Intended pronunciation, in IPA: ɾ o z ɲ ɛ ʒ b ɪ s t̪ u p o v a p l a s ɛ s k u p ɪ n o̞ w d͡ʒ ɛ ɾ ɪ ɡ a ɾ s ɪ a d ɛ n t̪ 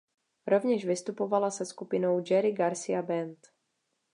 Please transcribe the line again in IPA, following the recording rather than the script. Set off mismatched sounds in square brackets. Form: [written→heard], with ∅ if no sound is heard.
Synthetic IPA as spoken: ɾ o [z→v] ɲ ɛ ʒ [b→v] ɪ s t̪ u p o v a [p→∅] l a s ɛ s k u p ɪ n o̞ w d͡ʒ ɛ ɾ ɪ ɡ a ɾ s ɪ a [d→b] ɛ n t̪

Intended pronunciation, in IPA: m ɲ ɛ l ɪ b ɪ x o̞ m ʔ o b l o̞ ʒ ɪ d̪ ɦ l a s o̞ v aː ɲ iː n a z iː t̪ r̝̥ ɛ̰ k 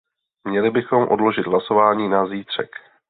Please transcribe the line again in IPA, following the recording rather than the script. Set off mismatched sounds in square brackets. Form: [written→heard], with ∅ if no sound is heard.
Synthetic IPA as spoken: m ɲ ɛ l ɪ b ɪ x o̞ m ʔ o [b→d] l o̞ ʒ ɪ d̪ ɦ l a s o̞ v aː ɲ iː n a z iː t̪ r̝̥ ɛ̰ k

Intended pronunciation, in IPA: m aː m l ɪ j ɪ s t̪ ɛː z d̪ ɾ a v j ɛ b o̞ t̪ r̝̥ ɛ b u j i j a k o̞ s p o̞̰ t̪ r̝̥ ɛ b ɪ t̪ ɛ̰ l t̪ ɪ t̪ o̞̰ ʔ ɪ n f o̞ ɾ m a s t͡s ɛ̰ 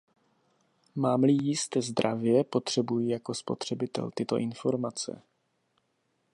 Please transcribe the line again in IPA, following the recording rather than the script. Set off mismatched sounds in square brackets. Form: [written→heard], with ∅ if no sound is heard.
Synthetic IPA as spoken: m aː m l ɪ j ɪ s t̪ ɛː z d̪ ɾ a v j ɛ [b→p] o̞ t̪ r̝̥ ɛ b u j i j a k o̞ s p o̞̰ t̪ r̝̥ ɛ b ɪ t̪ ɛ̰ l t̪ ɪ t̪ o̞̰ ʔ ɪ n f o̞ ɾ m a [s→∅] t͡s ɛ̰

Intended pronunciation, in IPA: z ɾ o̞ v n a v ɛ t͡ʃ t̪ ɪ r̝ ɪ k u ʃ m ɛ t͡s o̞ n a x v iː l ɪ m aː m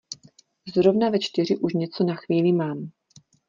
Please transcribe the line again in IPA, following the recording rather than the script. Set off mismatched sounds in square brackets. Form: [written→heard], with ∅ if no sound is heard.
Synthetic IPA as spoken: z ɾ o̞ v n a v ɛ t͡ʃ t̪ ɪ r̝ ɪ [k→ʔ] u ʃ [m→ɲ] ɛ t͡s o̞ n a x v iː l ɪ m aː m

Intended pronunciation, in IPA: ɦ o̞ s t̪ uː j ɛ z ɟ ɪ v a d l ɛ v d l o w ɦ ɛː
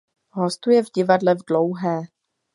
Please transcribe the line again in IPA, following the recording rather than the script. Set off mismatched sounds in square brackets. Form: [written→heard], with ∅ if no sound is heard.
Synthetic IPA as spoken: ɦ o̞ s t̪ [uː→u] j ɛ [z→v] ɟ ɪ v a d l ɛ v d l o w ɦ ɛː

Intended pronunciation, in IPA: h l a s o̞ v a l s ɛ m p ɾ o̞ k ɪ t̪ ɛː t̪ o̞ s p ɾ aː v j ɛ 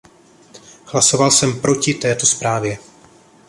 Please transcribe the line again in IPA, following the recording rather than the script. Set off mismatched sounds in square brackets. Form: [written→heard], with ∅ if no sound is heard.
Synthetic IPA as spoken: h l a s o̞ v a l s ɛ m p ɾ o̞ [k→c] ɪ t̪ ɛː t̪ o̞ s p ɾ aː v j ɛ

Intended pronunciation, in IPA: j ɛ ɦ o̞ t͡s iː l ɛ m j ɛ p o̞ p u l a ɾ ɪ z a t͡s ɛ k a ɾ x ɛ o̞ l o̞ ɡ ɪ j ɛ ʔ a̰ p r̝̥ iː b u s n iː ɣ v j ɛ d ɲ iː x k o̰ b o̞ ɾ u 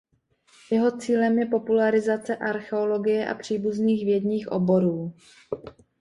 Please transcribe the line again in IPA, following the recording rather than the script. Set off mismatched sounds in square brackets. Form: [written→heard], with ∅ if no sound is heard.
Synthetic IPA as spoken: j ɛ ɦ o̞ t͡s iː l ɛ m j ɛ p o̞ p u l a ɾ ɪ z a t͡s ɛ [k→ʔ] a ɾ x ɛ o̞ l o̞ ɡ ɪ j ɛ ʔ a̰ p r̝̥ iː b u [s→z] n iː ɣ v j ɛ d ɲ iː x [k→ʔ] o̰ b o̞ ɾ [u→uː]

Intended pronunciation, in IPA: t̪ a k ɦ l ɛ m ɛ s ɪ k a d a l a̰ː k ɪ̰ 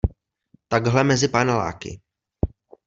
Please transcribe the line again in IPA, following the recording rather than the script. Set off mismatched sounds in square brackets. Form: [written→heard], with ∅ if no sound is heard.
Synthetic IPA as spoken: t̪ a [k→ɡ] ɦ l ɛ m ɛ [s→z] ɪ [k→p] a [d→n] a l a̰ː k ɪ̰

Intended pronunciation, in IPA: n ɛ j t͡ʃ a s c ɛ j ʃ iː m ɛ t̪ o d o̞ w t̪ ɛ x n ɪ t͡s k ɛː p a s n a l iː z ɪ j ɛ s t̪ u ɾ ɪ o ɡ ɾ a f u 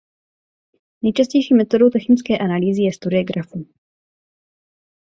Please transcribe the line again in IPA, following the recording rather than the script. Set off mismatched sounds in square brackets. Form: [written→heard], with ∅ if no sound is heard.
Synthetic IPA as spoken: n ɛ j t͡ʃ a s c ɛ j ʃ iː m ɛ t̪ o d o̞ w t̪ ɛ x n ɪ t͡s k ɛː [p→ʔ] a [s→∅] n a l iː z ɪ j ɛ s t̪ u ɾ ɪ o ɡ ɾ a f u

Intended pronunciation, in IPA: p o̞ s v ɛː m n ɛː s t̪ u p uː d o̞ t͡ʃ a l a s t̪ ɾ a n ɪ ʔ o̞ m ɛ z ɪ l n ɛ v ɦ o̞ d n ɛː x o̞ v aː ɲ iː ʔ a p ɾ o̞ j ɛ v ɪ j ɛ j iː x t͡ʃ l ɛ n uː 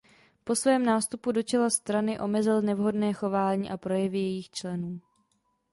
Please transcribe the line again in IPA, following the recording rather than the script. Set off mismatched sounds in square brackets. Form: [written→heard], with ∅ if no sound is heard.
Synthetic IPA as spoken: p o̞ s v ɛː m n [ɛː→aː] s t̪ u p [uː→u] d o̞ t͡ʃ [a→ɛ] l a s t̪ ɾ a n ɪ ʔ o̞ m ɛ z ɪ l n ɛ v ɦ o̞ d n ɛː x o̞ v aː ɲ iː ʔ a p ɾ o̞ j ɛ v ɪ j ɛ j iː x t͡ʃ l ɛ n uː

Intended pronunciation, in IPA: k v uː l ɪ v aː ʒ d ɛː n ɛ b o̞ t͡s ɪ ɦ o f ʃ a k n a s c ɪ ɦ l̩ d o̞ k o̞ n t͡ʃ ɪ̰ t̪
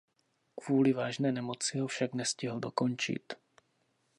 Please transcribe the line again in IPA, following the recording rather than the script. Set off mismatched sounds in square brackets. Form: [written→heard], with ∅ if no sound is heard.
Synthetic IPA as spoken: k v uː l ɪ v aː ʒ [d→n] ɛː n ɛ [b→m] o̞ t͡s ɪ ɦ o f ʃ a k n [a→ɛ] s c ɪ ɦ l̩ d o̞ k o̞ n t͡ʃ ɪ̰ t̪

